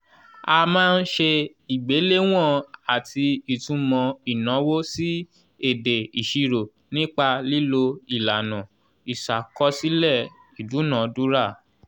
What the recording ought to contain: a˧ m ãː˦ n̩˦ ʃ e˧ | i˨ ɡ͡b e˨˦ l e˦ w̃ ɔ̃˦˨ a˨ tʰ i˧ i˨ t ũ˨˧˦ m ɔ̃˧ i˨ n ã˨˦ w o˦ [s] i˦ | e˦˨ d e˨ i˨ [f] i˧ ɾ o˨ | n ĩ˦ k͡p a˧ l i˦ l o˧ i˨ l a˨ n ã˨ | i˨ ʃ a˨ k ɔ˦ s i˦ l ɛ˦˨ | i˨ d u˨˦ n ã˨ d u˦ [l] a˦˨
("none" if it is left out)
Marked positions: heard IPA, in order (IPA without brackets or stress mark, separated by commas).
s, ʃ, ɾ